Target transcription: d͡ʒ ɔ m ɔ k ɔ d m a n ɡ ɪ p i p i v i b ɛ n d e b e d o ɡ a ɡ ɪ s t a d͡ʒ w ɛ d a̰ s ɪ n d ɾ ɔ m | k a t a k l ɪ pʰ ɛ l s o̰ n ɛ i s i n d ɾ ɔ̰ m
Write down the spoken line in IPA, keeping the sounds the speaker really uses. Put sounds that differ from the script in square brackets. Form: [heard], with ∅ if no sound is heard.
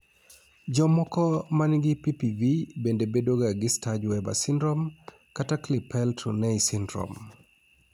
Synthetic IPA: d͡ʒ ɔ m ɔ k ɔ [∅] m a n ɡ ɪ p i p i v i b [e] n d e b e d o ɡ a ɡ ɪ s t a d͡ʒ w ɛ [b] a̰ s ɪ n d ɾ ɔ m | k a t a k l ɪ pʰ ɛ l [t] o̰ n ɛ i s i n d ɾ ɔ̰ m